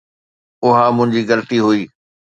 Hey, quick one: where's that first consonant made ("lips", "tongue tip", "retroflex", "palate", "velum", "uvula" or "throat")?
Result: throat